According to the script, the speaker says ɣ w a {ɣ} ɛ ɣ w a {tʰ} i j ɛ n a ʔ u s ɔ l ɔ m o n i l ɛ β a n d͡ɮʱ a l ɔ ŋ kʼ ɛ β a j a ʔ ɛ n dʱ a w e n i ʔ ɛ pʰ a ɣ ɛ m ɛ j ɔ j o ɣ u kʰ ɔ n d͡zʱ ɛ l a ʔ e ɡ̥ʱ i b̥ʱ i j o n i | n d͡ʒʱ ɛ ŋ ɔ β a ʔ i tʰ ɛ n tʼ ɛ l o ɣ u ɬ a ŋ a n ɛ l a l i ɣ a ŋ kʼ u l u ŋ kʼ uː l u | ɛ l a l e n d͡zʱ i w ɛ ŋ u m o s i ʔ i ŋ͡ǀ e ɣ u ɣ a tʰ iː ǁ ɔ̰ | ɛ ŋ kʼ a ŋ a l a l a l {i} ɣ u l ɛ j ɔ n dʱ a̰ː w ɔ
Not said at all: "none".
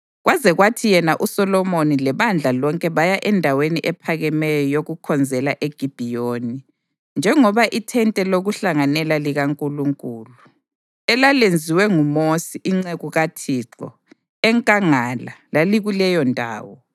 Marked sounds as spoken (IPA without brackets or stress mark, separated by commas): z, tʰ, i